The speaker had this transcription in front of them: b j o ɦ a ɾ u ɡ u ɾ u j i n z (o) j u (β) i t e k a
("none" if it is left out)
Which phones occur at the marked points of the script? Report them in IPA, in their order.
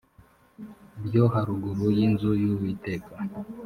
u, w

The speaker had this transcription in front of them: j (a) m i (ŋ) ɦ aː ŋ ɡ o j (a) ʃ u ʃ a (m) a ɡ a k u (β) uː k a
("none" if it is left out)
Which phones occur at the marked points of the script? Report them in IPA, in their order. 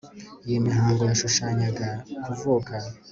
i, none, a, ɲ, v

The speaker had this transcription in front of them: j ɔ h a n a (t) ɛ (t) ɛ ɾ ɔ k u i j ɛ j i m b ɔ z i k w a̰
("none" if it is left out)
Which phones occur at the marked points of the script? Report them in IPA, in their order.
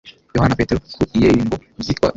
p, t

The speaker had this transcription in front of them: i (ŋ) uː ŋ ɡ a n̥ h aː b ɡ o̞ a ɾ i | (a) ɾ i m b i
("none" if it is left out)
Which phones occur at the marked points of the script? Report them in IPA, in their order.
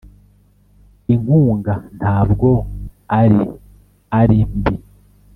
ŋ, a

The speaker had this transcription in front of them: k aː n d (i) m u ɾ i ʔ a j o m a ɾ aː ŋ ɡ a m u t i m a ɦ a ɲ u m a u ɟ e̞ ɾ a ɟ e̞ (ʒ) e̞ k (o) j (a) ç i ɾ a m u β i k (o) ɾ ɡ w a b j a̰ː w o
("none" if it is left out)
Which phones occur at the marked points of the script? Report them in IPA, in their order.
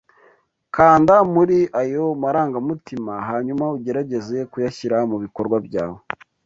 a, z, u, a, o

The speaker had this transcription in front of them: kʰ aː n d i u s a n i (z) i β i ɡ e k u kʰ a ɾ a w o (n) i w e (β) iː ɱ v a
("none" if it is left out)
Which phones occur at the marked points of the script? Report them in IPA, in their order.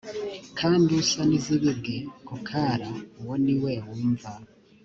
z, n, w

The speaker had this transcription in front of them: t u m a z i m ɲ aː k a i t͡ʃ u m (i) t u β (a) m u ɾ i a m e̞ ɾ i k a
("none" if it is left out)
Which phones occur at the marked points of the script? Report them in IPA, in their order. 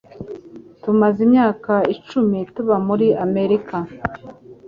i, a

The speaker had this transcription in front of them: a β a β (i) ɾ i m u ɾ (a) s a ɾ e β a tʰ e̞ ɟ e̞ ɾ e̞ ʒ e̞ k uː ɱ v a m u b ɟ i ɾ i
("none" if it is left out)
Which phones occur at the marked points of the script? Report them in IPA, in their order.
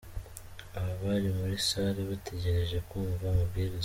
a, i

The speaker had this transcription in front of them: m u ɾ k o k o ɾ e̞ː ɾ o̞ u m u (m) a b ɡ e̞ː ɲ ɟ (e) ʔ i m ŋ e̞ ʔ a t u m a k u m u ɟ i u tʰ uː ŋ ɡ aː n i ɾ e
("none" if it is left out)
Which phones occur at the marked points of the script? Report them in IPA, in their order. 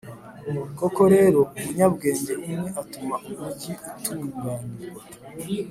ɲ, e

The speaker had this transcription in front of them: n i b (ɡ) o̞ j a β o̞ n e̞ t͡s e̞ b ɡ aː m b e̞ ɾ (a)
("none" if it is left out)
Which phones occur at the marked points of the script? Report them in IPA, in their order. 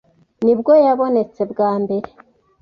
ɡ, e

